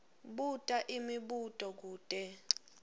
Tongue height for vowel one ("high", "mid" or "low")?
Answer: high